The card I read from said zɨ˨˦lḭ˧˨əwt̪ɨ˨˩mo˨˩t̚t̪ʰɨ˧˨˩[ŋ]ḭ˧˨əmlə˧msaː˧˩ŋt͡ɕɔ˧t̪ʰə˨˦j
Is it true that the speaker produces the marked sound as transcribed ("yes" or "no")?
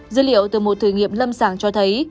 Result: yes